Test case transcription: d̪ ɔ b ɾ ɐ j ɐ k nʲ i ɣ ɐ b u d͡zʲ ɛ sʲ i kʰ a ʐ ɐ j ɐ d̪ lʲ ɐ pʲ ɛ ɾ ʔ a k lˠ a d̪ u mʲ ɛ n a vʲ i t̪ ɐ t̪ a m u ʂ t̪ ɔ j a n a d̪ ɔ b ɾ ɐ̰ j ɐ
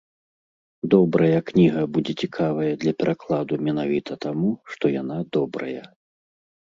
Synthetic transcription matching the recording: d̪ ɔ b ɾ ɐ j ɐ k nʲ i ɣ ɐ b u d͡zʲ ɛ t͡sʲ i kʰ a v ɐ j ɐ d̪ lʲ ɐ pʲ ɛ ɾ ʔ a k lˠ a d̪ u mʲ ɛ n a vʲ i t̪ ɐ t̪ a m u ʂ t̪ ɔ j a n a d̪ ɔ b ɾ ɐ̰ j ɐ

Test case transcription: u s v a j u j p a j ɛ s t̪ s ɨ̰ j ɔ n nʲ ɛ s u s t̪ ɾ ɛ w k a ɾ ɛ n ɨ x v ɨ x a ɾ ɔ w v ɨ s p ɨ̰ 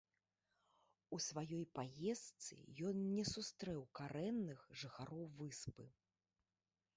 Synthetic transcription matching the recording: u s v a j ɔ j p a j ɛ s t̪ s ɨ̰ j ɔ n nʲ ɛ s u s t̪ ɾ ɛ w k a ɾ ɛ nː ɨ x ʐ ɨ x a ɾ ɔ w v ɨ s p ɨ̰

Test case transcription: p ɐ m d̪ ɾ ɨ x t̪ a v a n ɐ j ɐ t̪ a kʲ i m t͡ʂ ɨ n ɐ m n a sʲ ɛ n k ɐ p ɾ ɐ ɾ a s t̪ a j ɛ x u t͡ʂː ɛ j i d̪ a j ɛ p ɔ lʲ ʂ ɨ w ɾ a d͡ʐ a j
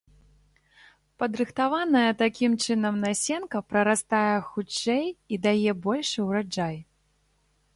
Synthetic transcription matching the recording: p ɐ d̪ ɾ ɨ x t̪ a v a n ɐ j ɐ t̪ a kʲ i m t͡ʂ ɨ n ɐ m n a sʲ ɛ n k ɐ p ɾ ɐ ɾ a s t̪ a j ɛ x u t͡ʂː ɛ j i d̪ a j ɛ b ɔ lʲ ʂ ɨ w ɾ a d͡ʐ a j

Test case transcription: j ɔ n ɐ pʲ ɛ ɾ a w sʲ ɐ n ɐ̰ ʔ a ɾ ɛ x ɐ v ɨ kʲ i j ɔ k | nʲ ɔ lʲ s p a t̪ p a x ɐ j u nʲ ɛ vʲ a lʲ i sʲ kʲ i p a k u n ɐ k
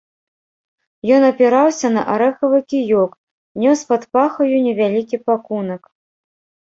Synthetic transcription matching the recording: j ɔ n ɐ pʲ ɛ ɾ a w sʲ ɐ n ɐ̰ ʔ a ɾ ɛ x ɐ v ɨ kʲ i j ɔ k | nʲ ɔ s p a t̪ p a x ɐ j u nʲ ɛ vʲ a lʲ i kʲ i p a k u n ɐ k

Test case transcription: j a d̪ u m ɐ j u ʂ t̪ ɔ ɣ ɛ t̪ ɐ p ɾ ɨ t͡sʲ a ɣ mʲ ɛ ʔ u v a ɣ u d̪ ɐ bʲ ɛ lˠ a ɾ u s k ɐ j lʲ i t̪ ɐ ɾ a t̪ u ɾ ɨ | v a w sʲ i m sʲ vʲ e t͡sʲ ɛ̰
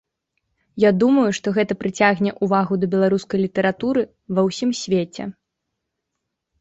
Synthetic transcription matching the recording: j a d̪ u m ɐ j u ʂ t̪ ɔ ɣ ɛ t̪ ɐ p ɾ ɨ t͡sʲ a ɣ nʲ ɛ ʔ u v a ɣ u d̪ ɐ bʲ ɛ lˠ a ɾ u s k ɐ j lʲ i t̪ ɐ ɾ a t̪ u ɾ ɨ | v ɐ w sʲ i m sʲ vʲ e t͡sʲ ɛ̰

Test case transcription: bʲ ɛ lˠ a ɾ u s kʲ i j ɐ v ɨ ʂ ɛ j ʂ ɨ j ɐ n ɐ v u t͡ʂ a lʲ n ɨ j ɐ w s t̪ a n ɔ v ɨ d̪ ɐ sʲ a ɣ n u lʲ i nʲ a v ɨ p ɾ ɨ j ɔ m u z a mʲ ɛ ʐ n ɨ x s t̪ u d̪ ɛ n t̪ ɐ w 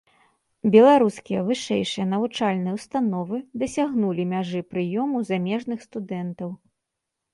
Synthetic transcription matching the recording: bʲ ɛ lˠ a ɾ u s kʲ i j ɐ v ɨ ʂ ɛ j ʂ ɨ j ɐ n ɐ v u t͡ʂ a lʲ n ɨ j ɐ w s t̪ a n ɔ v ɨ d̪ ɐ sʲ a ɣ n u lʲ i mʲ a ʐ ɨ p ɾ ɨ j ɔ m u z a mʲ ɛ ʐ n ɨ x s t̪ u d̪ ɛ n t̪ ɐ w

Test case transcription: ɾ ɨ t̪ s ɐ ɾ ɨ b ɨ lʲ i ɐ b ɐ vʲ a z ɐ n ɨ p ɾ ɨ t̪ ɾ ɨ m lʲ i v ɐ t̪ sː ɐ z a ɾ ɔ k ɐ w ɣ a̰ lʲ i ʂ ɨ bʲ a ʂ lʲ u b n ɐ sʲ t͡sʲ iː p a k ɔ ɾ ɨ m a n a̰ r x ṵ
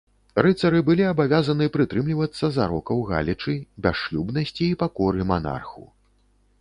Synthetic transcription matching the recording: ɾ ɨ t̪ s ɐ ɾ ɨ b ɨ lʲ i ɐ b a vʲ a z ɐ n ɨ p ɾ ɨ t̪ ɾ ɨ m lʲ i v ɐ t̪ sː ɐ z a ɾ ɔ k ɐ w ɣ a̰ lʲ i t͡ʂ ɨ bʲ a ʂ lʲ u b n ɐ sʲ t͡sʲ iː p a k ɔ ɾ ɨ m a n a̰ r x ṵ

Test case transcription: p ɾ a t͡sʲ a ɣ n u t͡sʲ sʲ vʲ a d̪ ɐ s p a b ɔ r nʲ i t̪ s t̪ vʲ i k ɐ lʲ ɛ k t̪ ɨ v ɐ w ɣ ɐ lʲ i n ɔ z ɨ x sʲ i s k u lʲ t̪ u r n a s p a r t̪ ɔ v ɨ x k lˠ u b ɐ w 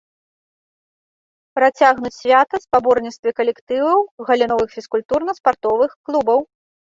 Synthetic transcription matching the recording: p ɾ a t͡sʲ a ɣ n u t͡sʲ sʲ vʲ a t̪ ɐ s p a b ɔ r nʲ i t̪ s t̪ vʲ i k ɐ lʲ ɛ k t̪ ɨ v ɐ w ɣ ɐ lʲ i n ɔ v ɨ x fʲ i s k u lʲ t̪ u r n ɐ s p a r t̪ ɔ v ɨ x k lˠ u b ɐ w

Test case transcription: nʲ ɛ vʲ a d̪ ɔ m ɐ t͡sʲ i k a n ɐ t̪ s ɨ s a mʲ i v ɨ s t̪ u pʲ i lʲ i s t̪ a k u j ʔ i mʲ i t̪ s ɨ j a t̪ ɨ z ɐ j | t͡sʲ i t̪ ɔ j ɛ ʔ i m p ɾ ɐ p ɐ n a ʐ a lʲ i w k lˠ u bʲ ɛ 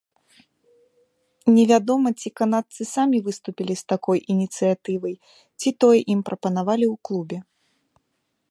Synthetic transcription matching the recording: nʲ ɛ vʲ a d̪ ɔ m ɐ t͡sʲ i k a n a t̪ s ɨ s a mʲ i v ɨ s t̪ u pʲ i lʲ i s t̪ a k ɔ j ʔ i nʲ i t̪ s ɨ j a t̪ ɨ v ɐ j | t͡sʲ i t̪ ɔ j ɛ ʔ i m p ɾ ɐ p ɐ n a v a lʲ i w k lˠ u bʲ ɛ

